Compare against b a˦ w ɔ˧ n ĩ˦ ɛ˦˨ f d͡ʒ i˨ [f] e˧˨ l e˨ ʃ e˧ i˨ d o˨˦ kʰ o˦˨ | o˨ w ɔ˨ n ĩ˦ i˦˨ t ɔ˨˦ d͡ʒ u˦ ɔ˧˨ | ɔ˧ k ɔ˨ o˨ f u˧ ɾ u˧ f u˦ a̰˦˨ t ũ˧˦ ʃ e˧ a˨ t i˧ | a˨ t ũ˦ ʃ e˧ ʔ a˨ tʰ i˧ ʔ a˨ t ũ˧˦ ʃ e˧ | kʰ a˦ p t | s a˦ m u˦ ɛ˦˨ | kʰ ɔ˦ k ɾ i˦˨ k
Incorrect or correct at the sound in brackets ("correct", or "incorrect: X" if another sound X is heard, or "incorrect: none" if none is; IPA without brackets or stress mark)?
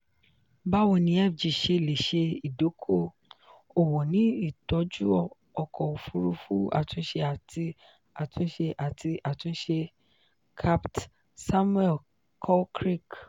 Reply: incorrect: ʃ